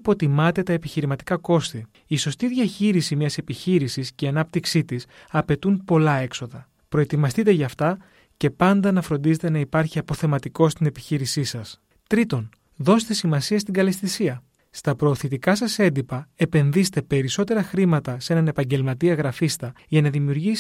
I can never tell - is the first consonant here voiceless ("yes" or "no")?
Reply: yes